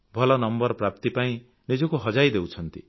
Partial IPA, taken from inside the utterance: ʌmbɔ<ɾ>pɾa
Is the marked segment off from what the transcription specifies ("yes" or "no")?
no